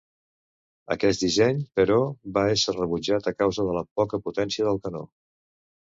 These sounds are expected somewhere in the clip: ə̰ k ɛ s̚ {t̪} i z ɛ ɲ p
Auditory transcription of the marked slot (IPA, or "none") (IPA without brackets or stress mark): d̪